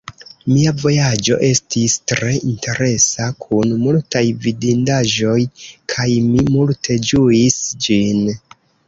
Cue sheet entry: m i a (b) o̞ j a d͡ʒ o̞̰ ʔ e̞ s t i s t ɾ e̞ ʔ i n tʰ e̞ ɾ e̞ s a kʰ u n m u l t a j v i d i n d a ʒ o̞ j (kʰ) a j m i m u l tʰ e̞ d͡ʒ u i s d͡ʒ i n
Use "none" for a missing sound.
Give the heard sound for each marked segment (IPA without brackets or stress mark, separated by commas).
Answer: v, kʰ